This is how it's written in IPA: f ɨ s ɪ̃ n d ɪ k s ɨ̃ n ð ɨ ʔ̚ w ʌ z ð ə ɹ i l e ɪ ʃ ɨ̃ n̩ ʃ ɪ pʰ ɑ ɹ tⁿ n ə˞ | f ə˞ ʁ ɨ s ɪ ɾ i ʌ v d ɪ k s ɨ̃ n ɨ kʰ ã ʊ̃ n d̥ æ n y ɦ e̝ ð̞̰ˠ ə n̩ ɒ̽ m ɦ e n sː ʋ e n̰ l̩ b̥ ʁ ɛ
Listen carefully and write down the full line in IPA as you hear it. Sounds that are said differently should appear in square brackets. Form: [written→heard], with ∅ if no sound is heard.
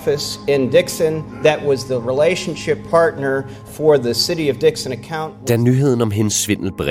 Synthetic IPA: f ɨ s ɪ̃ n d ɪ k s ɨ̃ n ð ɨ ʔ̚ w ʌ z ð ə ɹ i l e ɪ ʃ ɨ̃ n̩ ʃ ɪ pʰ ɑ ɹ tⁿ n ə˞ | f ə˞ [ʁ→ð] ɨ s ɪ ɾ i ʌ v d ɪ k s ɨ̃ n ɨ kʰ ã ʊ̃ n d̥ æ n y ɦ e̝ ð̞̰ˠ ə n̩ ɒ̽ m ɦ e n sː ʋ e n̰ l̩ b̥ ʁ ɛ